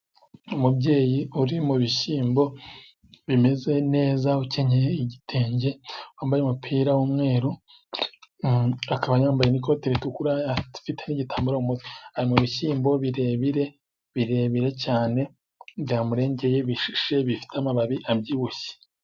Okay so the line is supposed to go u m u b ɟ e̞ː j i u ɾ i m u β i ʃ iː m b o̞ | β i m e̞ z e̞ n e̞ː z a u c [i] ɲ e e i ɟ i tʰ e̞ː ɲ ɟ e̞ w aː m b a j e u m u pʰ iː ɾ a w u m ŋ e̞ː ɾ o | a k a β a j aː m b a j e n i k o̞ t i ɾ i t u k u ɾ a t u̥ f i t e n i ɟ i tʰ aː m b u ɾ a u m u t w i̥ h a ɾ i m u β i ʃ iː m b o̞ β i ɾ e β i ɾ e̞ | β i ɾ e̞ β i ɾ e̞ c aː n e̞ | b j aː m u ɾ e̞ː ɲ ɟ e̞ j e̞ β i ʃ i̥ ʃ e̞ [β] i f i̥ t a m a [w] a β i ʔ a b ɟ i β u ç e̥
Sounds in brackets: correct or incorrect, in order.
incorrect: e, correct, incorrect: β

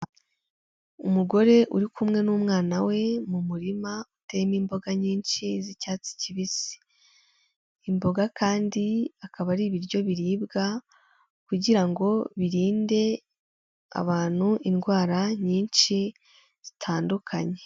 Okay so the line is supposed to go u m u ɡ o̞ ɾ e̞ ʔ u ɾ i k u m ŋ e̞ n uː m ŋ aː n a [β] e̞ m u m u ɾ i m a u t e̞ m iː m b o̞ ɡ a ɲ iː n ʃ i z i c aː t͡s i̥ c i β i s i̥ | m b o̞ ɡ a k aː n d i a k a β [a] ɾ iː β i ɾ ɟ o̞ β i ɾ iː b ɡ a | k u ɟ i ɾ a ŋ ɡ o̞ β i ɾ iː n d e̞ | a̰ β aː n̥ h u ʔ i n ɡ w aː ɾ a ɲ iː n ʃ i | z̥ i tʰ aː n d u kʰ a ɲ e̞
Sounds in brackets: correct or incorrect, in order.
incorrect: w, correct

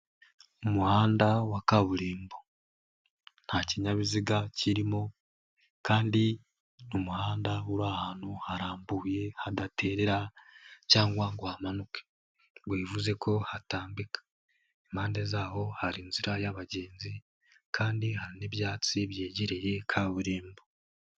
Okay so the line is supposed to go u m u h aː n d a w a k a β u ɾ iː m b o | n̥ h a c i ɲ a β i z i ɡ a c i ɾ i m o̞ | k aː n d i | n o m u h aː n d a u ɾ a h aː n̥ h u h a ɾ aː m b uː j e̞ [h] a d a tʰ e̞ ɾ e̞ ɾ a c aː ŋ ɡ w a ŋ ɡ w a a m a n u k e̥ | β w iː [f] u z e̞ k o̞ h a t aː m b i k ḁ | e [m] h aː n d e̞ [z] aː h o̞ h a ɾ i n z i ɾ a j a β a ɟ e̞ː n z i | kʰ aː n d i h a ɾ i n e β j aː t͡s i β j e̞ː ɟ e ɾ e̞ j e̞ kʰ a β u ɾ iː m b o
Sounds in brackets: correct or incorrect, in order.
correct, incorrect: v, correct, correct

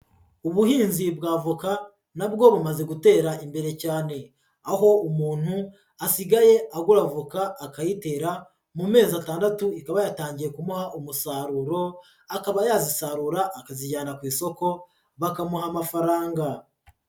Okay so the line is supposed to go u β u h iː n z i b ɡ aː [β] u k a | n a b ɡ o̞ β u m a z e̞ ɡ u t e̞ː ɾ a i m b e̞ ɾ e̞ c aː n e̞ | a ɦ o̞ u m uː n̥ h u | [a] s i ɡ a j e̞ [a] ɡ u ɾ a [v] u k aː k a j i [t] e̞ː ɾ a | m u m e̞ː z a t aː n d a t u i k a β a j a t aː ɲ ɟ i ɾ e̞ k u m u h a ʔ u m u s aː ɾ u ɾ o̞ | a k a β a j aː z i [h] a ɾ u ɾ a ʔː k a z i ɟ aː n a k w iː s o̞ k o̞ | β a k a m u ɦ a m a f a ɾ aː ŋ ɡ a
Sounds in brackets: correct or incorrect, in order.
incorrect: v, correct, correct, correct, correct, incorrect: s

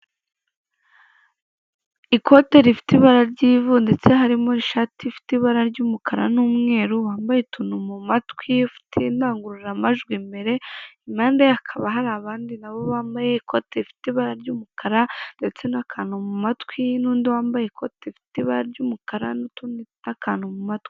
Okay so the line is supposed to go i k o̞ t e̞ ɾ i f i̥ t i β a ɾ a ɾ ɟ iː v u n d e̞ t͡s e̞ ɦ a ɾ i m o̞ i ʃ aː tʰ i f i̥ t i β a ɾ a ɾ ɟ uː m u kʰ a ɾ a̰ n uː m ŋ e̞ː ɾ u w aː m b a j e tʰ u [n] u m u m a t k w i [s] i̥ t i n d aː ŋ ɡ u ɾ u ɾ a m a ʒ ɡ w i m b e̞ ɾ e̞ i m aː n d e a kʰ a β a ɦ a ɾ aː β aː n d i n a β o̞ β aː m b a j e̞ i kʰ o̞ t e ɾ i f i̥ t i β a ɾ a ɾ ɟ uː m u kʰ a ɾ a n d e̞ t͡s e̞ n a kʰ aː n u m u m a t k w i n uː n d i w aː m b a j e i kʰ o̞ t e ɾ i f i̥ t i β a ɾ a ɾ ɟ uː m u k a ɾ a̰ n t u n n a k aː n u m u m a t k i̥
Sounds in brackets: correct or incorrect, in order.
correct, incorrect: f

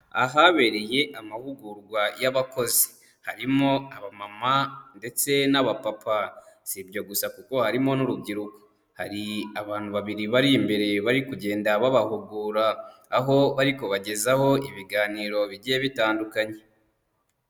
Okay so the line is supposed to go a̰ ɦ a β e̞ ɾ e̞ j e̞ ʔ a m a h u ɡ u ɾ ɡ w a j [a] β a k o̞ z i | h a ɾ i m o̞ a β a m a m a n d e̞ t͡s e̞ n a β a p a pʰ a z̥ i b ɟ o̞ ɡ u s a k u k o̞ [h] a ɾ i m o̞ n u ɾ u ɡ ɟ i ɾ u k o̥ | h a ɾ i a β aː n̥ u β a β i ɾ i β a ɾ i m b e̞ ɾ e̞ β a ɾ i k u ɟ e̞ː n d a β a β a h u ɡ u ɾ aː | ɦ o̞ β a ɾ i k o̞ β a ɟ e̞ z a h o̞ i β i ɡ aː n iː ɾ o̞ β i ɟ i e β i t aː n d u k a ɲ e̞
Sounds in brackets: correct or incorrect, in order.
correct, correct

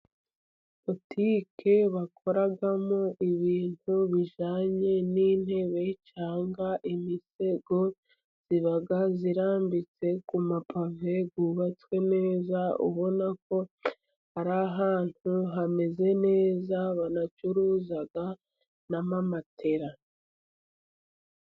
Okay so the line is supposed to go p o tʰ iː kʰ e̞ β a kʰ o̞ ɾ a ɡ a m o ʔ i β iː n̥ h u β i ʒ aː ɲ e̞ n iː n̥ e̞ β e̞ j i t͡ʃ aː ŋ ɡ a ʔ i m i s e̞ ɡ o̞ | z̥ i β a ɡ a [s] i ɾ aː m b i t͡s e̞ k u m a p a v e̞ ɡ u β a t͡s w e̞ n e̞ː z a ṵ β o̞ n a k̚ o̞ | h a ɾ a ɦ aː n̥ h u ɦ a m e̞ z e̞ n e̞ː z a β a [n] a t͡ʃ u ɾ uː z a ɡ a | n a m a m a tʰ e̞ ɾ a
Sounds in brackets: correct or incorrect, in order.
incorrect: z, correct

